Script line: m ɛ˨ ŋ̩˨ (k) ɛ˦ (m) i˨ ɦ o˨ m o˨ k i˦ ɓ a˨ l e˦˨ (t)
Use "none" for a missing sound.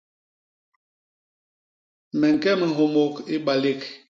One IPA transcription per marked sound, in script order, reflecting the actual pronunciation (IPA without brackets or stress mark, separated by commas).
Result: k, m, k